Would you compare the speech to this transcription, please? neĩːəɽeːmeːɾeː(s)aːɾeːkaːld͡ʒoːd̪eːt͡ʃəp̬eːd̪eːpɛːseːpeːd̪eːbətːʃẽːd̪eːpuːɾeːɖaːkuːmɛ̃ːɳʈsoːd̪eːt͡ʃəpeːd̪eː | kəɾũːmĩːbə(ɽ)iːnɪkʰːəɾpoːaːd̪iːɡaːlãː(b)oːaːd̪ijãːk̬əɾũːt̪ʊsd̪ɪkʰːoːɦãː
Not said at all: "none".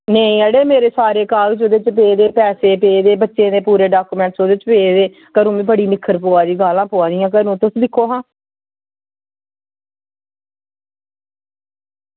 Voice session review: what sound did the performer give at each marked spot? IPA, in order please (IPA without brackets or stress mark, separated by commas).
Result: s, ɽ, p